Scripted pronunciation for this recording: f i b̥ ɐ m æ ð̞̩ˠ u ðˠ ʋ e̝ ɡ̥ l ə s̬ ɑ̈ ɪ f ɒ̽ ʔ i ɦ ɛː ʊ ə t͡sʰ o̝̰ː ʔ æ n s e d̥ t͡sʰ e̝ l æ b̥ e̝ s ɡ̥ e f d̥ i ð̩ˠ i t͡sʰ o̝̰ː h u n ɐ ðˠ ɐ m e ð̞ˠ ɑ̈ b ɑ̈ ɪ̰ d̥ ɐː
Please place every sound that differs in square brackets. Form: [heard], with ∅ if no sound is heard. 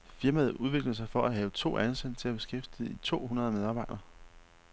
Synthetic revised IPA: f i [∅] ɐ m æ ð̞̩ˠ u ðˠ ʋ e̝ ɡ̥ l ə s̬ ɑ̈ ɪ f ɒ̽ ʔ [æ] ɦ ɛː ʊ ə t͡sʰ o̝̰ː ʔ æ n s e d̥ t͡sʰ e̝ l æ b̥ e̝ s ɡ̥ e f d̥ i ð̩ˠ i t͡sʰ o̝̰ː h u n ɐ ðˠ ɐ m e ð̞ˠ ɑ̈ b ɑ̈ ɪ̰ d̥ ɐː